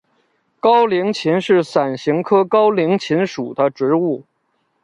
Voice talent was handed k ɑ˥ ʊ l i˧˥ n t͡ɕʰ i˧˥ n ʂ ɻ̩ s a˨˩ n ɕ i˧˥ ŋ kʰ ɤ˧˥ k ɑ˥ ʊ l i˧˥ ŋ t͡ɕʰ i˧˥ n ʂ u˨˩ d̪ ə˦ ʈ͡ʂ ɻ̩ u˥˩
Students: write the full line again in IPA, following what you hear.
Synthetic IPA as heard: k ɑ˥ ʊ l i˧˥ ŋ t͡ɕʰ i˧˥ n ʂ ɻ̩ s a˨˩ n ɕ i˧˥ ŋ kʰ ɤ˥ k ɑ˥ ʊ l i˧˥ ŋ t͡ɕʰ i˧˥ n ʂ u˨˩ d̪ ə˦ ʈ͡ʂ ɻ̩ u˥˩